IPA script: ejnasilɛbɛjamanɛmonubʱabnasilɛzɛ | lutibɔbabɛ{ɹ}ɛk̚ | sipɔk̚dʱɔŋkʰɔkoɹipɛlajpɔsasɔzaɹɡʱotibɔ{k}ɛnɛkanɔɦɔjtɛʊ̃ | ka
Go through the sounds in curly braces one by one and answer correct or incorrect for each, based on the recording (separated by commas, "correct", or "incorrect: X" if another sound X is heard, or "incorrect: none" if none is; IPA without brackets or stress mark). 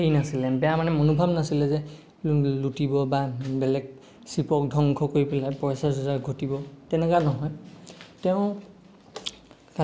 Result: incorrect: l, incorrect: t